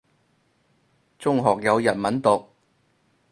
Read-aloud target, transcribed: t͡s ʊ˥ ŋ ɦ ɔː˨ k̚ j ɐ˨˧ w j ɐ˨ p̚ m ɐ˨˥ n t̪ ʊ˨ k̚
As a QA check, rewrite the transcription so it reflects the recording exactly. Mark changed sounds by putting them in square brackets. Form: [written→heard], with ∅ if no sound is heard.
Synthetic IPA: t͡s ʊ˥ ŋ ɦ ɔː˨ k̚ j ɐ˨˧ w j ɐ˨ [p̚→t̚] m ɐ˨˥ n t̪ ʊ˨ k̚